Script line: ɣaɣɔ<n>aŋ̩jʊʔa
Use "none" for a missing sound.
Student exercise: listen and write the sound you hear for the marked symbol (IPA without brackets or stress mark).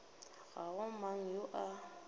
m